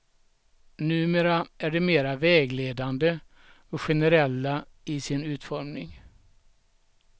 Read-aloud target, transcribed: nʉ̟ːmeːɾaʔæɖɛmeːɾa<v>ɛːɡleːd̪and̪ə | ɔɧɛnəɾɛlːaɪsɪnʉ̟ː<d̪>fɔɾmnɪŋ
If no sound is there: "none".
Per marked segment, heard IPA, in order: v, t̪

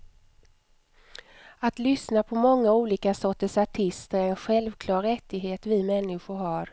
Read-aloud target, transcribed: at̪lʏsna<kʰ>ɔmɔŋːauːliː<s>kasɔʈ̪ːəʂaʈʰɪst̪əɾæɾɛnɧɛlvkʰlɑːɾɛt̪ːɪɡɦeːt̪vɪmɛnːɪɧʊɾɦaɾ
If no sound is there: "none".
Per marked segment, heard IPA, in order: pʰ, none

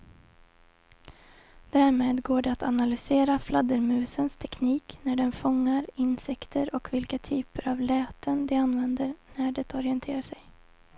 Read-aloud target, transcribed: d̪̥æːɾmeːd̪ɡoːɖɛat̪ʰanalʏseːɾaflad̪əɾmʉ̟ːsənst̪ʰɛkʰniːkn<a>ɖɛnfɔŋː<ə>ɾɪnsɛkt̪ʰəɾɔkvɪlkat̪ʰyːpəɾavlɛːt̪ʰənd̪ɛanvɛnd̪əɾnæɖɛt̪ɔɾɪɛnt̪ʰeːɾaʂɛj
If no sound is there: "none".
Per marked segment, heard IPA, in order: æ, a

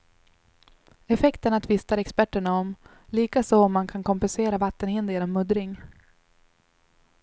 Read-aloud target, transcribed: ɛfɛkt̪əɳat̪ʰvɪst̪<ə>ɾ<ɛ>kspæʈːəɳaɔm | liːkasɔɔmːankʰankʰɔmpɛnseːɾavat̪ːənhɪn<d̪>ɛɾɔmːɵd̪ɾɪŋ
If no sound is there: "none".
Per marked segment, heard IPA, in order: a, ɛ, d̪

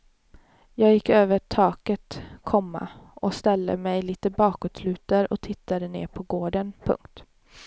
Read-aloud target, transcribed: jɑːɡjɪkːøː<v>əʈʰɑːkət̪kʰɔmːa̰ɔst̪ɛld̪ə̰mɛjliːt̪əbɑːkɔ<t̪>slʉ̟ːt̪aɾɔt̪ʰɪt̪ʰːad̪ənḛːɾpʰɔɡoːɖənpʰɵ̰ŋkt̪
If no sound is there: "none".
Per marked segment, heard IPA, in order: v, t̪

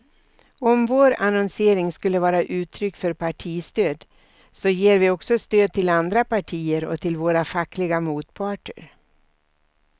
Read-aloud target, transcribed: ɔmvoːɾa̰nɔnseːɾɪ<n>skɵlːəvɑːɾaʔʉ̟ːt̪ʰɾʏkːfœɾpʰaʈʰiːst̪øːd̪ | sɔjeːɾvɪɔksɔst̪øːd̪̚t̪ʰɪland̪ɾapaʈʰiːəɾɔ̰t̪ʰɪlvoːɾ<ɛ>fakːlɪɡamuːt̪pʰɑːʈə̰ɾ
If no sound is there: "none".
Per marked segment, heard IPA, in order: ŋ, a

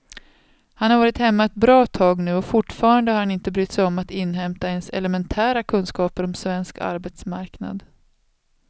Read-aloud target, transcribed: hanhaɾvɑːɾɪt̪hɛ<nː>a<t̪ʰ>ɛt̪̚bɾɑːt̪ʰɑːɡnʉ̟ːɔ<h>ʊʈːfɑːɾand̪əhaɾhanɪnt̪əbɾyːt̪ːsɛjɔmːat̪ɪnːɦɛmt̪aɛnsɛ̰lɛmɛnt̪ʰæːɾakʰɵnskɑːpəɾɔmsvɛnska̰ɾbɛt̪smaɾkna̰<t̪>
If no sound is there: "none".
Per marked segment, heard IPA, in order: mː, none, f, d̪

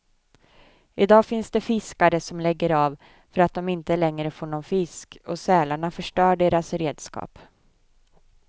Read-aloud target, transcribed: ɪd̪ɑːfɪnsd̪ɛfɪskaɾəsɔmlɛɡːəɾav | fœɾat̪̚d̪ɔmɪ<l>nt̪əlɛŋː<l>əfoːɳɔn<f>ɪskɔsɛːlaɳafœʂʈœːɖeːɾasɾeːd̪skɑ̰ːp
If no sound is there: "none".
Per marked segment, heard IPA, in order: none, ɾ, f

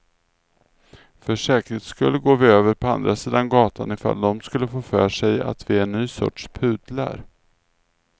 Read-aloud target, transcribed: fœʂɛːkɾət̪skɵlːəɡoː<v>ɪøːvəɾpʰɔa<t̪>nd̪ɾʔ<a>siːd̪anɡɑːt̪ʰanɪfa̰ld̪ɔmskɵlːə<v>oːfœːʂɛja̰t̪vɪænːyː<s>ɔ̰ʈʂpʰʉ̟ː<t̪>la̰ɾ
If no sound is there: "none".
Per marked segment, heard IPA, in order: v, none, a, f, s, d̪

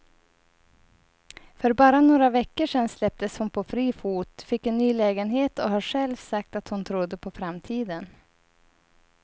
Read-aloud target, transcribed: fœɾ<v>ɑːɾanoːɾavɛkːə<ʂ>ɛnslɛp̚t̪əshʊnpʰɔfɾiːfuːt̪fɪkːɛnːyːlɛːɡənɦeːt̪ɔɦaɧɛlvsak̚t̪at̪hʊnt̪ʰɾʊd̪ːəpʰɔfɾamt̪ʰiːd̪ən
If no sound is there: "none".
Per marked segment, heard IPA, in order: b, ʂ

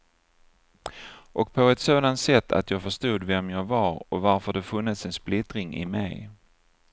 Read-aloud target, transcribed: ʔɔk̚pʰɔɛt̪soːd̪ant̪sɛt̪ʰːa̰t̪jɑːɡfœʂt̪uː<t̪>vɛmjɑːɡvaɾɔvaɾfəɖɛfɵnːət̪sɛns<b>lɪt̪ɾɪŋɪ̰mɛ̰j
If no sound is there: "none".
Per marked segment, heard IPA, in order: d̪, p

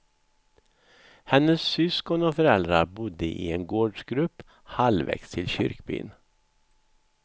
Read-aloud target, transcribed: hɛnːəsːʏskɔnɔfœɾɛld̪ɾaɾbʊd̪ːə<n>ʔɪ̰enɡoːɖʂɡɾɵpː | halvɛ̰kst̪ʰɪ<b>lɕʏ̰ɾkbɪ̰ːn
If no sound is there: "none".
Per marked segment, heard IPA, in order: none, none

